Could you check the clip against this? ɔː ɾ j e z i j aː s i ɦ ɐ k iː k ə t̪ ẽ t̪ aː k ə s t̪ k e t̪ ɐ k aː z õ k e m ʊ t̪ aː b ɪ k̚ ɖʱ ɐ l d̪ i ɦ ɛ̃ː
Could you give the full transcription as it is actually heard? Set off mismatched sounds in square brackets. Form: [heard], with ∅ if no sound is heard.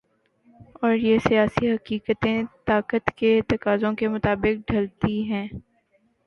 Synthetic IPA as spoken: ɔː ɾ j e [s] i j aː s i ɦ ɐ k iː k ə t̪ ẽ t̪ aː k ə [∅] t̪ k e t̪ ɐ k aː z õ k e m ʊ t̪ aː b ɪ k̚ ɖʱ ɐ l [t̪] i ɦ ɛ̃ː